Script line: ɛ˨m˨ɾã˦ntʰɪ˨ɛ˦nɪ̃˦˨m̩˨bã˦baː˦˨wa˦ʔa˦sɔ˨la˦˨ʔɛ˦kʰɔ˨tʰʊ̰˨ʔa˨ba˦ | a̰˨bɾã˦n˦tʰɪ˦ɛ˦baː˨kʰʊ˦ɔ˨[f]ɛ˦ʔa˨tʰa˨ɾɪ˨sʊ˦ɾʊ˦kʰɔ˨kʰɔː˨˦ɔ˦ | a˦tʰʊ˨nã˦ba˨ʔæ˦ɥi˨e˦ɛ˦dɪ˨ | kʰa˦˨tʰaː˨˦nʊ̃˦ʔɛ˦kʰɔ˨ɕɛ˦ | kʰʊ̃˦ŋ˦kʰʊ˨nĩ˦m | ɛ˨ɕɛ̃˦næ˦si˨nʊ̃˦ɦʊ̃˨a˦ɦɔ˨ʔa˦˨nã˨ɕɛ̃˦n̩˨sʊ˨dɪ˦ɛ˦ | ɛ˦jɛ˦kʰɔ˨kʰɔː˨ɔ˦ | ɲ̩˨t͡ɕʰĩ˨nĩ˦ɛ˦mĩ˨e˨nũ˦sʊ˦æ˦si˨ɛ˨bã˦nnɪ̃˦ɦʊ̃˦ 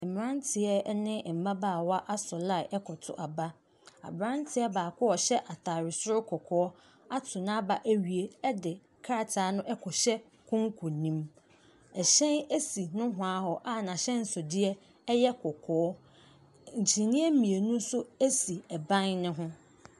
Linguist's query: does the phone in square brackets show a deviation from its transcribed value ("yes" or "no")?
yes